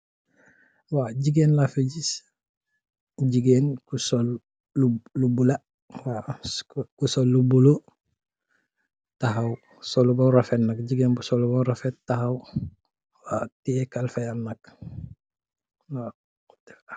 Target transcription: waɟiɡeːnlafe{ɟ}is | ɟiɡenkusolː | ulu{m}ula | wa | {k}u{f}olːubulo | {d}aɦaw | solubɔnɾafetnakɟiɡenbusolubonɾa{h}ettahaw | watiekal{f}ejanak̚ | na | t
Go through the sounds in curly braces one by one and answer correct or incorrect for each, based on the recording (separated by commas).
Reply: correct, incorrect, correct, incorrect, incorrect, incorrect, correct